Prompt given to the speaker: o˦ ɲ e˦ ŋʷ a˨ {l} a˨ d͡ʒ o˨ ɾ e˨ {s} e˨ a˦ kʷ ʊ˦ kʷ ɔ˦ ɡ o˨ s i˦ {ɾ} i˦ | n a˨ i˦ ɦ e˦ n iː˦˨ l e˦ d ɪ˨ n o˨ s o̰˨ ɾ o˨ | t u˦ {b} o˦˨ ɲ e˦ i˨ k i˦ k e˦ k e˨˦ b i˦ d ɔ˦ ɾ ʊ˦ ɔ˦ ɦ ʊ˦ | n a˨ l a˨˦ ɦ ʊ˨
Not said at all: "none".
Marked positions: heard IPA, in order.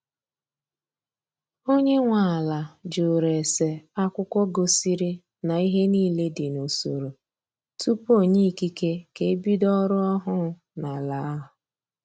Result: l, s, ɾ, p

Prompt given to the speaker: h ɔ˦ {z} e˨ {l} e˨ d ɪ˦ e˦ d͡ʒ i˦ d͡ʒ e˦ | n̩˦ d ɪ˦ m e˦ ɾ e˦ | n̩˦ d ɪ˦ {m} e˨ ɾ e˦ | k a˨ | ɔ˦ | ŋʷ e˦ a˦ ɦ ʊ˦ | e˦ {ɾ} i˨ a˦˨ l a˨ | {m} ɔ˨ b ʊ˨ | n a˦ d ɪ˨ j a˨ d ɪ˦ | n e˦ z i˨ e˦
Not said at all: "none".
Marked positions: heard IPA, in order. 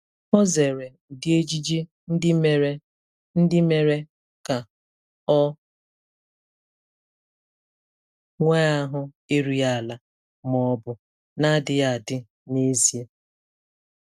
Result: z, ɾ, m, ɾ, m

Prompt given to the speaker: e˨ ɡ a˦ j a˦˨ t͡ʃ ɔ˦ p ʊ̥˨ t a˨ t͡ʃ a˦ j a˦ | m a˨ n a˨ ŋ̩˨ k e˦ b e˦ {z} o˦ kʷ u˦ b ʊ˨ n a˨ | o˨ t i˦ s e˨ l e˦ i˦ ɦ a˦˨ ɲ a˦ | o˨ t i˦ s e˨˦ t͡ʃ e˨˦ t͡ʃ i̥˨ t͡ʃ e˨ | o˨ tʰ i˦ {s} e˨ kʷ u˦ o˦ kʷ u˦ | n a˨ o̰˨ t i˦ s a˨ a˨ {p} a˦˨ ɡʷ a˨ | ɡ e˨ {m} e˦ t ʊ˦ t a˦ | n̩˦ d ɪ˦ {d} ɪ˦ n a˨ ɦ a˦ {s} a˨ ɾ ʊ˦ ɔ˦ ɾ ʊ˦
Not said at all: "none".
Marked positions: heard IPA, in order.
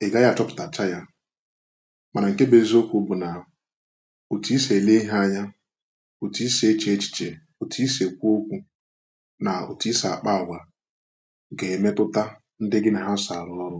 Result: z, s, k͡p, m, ɡ, s

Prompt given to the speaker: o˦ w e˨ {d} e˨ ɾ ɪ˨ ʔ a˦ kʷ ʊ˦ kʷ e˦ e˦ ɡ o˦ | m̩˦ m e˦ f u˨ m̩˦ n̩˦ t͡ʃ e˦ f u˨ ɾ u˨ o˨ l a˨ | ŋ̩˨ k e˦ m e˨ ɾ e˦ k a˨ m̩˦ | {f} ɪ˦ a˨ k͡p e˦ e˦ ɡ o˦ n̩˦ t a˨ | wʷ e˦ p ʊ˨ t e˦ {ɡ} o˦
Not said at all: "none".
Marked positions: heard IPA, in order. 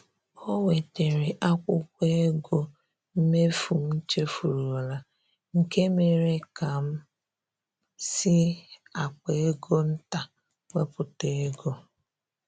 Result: t, s, ɡ

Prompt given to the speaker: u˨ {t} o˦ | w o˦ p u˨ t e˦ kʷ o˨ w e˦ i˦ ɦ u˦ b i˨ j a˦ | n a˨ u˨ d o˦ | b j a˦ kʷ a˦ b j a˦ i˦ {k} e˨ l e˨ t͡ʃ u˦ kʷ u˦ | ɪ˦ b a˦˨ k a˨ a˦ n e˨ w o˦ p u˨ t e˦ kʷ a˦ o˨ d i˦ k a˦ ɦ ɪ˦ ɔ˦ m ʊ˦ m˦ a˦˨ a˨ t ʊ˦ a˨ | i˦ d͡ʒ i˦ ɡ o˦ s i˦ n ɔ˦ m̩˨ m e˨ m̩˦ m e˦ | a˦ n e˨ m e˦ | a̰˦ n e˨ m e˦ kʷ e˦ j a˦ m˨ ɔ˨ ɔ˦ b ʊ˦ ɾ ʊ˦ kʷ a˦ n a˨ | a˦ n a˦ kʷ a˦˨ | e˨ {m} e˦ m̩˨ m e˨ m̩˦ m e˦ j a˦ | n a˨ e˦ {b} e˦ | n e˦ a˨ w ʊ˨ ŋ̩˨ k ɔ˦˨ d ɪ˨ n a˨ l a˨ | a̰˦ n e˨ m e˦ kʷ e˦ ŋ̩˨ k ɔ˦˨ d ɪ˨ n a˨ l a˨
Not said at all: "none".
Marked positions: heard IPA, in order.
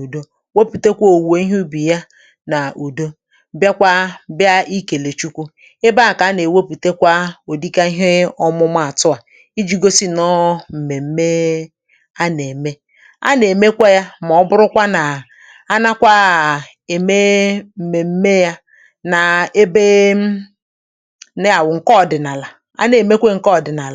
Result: d, k, m, b

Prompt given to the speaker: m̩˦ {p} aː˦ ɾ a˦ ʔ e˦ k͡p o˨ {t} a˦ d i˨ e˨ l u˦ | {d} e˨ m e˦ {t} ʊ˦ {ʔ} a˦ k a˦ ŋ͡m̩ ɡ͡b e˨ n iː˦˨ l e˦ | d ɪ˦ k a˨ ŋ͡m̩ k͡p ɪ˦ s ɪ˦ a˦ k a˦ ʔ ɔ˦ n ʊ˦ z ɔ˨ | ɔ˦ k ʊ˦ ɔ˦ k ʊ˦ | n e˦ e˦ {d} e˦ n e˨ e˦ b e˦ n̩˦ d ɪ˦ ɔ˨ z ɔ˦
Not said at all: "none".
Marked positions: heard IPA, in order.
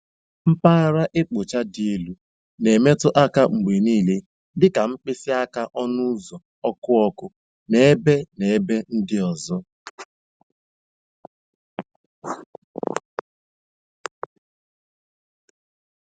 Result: p, t͡ʃ, n, t, ʔ, b

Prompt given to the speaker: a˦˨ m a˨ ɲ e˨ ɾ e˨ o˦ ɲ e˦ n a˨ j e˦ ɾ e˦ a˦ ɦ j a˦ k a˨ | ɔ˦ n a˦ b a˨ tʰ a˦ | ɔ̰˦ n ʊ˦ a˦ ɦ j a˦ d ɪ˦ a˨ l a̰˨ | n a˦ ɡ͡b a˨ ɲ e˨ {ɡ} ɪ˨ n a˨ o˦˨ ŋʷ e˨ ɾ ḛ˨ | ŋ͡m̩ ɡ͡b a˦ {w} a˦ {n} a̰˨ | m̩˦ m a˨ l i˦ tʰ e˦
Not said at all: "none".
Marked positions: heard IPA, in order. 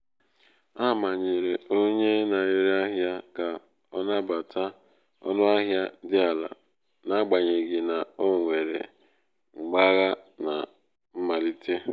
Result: ɡ, ɣ, n

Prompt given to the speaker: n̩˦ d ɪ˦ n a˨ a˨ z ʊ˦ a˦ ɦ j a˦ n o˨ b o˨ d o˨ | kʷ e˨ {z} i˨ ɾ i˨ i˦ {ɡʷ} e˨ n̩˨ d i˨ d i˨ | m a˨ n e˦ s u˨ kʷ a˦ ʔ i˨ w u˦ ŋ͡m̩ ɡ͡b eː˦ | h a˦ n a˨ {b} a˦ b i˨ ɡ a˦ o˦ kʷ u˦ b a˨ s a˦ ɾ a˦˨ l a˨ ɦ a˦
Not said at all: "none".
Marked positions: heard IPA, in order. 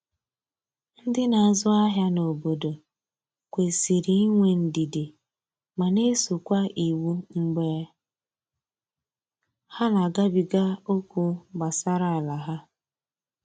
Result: s, ŋʷ, ɡ

